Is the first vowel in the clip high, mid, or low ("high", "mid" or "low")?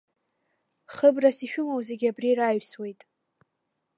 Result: mid